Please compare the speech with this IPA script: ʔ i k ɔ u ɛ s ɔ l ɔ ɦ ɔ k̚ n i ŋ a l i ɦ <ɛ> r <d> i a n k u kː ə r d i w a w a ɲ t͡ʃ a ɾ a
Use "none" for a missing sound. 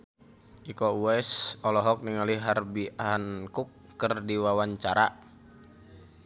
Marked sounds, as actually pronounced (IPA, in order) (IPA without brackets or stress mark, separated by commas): a, b